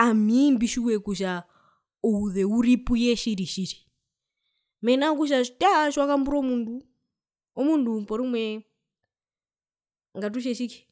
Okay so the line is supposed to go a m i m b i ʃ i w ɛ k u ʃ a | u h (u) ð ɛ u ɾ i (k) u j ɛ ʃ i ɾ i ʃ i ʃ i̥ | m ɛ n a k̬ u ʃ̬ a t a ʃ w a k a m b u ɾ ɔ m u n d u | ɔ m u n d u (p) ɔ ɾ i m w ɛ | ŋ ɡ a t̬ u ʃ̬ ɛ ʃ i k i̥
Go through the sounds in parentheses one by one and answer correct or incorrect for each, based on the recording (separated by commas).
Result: correct, incorrect, correct